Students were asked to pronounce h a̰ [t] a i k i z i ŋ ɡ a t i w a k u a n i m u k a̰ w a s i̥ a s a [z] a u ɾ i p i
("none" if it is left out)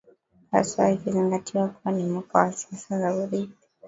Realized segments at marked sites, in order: s, z

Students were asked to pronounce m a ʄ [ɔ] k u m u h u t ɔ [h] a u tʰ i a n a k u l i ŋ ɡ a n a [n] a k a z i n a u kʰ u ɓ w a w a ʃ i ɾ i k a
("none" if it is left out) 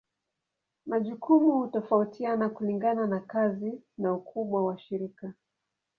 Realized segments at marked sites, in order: u, f, n

